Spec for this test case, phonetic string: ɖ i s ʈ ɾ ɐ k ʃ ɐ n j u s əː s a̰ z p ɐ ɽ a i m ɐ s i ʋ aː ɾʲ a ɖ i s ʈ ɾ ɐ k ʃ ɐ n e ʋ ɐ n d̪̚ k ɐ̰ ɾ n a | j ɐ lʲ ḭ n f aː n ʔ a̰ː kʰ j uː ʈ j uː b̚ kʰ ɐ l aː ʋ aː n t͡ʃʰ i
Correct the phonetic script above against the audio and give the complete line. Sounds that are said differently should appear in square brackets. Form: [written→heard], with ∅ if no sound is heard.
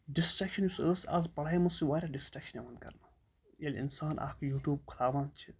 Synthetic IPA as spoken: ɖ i s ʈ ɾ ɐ k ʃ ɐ n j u s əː s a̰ z p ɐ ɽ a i m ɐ s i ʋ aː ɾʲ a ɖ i s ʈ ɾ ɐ k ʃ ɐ n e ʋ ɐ n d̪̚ k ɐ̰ ɾ n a | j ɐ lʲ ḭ n [f→s] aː n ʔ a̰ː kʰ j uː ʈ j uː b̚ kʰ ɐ l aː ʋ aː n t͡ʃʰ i